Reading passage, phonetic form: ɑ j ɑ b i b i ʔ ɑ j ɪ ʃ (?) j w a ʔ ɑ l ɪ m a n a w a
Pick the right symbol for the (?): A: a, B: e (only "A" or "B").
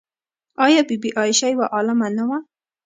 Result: A